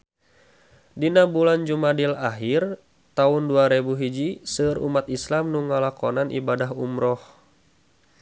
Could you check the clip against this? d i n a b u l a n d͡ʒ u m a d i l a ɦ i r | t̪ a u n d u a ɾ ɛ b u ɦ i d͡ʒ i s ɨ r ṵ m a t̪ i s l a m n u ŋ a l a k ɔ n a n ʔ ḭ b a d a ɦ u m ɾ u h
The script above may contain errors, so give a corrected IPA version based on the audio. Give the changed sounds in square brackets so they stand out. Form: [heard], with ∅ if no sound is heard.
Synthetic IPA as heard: d i n a b u l a n d͡ʒ u m a d i l a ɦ i r | t̪ a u n d u a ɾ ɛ b u ɦ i d͡ʒ i s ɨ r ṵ m a t̪ i s l a m n u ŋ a l a k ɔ n a n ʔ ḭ b a d a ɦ u m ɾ [ɔ] h